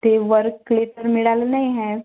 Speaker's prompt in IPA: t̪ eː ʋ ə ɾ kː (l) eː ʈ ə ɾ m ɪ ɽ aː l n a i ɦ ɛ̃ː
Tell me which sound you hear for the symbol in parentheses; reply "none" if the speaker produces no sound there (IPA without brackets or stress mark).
l